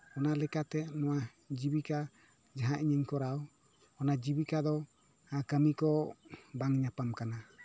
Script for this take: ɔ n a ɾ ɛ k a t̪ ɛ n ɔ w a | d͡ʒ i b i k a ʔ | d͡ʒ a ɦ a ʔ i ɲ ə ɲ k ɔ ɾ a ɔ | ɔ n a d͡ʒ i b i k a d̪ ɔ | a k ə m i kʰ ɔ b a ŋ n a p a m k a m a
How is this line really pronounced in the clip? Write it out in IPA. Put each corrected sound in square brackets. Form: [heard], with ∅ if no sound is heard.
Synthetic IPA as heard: ɔ n a [l] ɛ k a t̪ ɛ n ɔ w a | d͡ʒ i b i k a [∅] | d͡ʒ a ɦ a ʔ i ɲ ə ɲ k ɔ ɾ a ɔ | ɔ n a d͡ʒ i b i k a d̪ ɔ | a k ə m i [k] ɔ b a ŋ [ɲ] a p a m k a [n] a